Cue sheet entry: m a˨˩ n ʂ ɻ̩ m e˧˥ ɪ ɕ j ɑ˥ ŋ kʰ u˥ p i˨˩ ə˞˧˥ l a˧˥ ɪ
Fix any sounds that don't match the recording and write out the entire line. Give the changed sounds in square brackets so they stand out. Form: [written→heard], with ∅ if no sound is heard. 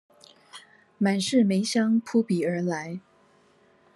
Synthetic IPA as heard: m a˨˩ n ʂ ɻ̩ m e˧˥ ɪ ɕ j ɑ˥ ŋ [kʰ→pʰ] u˥ p i˨˩ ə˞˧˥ l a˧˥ ɪ